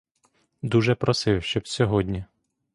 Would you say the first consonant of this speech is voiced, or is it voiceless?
voiced